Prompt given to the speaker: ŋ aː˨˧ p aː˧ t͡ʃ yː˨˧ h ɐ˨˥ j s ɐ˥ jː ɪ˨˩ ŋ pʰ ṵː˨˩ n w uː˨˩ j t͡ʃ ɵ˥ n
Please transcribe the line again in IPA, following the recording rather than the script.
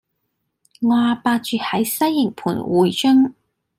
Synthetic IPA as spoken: ŋ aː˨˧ p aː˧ t͡ʃ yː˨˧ h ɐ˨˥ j s ɐ˥ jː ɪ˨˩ ŋ pʰ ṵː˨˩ n w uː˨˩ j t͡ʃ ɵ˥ ŋ